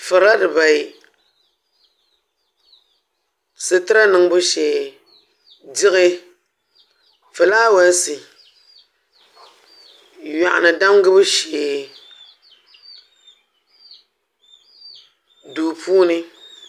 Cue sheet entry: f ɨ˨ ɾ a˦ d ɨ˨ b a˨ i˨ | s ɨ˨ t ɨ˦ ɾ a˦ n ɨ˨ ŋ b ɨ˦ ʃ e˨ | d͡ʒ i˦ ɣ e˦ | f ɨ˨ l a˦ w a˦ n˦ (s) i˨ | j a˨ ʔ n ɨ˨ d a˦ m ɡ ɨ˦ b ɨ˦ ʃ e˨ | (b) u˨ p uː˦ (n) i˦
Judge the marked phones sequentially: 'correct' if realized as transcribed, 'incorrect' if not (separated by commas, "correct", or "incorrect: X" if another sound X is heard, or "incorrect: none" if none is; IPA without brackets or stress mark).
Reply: correct, incorrect: d, correct